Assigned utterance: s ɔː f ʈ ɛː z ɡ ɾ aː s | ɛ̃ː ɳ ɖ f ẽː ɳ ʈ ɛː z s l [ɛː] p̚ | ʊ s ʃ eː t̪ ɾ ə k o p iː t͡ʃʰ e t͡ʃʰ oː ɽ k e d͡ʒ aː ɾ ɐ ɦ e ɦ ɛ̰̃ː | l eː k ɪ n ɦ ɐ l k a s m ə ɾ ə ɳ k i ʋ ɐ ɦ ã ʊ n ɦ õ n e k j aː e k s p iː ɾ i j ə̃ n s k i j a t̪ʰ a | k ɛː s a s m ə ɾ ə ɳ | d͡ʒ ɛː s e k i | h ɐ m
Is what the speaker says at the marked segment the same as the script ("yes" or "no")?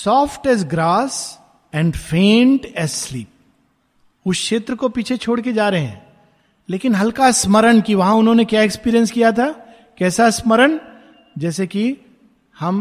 no